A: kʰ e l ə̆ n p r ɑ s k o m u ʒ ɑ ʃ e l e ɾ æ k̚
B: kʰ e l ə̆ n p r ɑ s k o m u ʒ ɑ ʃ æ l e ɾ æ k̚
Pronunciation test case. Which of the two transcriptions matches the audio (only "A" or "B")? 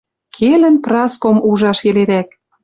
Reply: A